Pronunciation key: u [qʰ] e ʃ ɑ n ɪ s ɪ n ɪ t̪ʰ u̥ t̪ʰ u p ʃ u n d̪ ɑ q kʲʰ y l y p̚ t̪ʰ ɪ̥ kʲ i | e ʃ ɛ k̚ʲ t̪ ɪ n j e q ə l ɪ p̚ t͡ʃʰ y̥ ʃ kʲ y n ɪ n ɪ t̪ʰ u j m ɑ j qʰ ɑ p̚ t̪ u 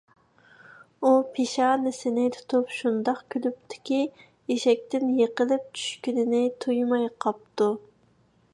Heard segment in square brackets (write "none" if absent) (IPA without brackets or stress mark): pʰ